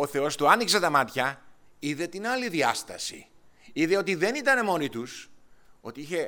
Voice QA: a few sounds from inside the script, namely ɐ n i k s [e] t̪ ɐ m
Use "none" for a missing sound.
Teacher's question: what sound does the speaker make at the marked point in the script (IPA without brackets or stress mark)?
e